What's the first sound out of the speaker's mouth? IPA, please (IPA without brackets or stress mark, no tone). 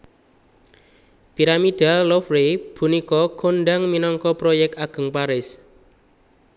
p